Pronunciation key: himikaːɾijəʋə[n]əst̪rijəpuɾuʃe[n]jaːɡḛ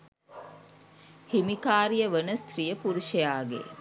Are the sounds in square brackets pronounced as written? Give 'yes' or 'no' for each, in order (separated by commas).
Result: yes, no